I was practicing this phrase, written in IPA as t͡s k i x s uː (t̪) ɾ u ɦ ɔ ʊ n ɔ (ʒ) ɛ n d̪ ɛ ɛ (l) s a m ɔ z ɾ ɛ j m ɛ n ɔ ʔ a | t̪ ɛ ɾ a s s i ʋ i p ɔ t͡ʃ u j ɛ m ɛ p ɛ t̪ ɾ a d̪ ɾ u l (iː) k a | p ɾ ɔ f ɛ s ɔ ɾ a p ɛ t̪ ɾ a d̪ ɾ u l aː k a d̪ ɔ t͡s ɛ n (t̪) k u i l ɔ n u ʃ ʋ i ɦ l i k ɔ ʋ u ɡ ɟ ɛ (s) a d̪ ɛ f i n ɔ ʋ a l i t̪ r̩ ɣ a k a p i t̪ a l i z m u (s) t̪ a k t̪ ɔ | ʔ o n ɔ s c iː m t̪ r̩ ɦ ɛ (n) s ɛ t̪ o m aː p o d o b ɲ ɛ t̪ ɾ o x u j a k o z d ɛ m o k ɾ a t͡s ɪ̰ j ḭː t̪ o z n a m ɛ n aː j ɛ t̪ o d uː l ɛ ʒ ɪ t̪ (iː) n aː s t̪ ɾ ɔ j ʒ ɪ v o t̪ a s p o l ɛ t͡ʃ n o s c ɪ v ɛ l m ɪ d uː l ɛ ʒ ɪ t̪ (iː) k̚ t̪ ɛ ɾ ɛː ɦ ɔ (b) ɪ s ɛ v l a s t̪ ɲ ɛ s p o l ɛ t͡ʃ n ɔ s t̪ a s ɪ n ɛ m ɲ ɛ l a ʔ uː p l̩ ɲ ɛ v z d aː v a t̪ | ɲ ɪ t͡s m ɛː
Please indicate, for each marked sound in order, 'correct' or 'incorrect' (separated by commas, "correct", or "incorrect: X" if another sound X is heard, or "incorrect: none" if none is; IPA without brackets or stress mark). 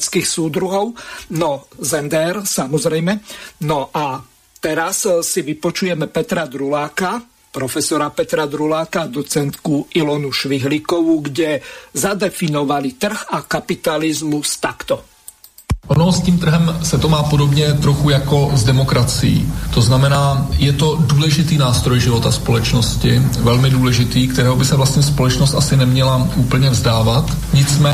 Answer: incorrect: d̪, incorrect: z, incorrect: ɾ, incorrect: aː, correct, incorrect: z, correct, incorrect: m, correct, correct, correct